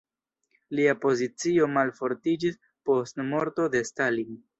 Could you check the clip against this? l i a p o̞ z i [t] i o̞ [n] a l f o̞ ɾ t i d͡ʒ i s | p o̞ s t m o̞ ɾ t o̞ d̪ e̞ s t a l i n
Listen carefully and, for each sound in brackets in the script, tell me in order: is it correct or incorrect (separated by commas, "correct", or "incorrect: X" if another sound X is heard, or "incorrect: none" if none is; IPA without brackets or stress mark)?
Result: incorrect: t͡s, incorrect: m